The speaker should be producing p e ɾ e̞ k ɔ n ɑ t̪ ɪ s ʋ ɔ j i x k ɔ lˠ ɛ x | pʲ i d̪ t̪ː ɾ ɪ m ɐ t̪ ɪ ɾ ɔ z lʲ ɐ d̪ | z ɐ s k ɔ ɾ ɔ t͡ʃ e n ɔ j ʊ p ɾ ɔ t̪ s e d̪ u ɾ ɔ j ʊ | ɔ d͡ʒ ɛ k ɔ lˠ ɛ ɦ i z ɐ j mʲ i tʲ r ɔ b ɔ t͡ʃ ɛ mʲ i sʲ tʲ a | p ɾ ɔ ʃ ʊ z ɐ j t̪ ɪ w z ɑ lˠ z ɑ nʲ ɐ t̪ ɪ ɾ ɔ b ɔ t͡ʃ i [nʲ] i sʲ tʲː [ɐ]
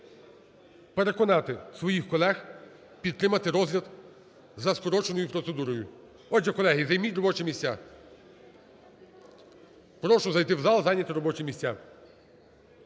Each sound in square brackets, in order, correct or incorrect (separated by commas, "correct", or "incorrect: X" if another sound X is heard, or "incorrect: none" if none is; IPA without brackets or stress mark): incorrect: mʲ, incorrect: a